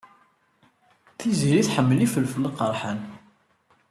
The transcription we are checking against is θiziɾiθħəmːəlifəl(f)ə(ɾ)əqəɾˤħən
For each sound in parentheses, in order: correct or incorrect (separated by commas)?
correct, incorrect